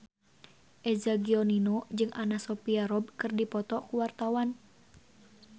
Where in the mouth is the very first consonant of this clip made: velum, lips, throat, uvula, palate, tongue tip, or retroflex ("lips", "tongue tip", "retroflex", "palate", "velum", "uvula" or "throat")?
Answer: throat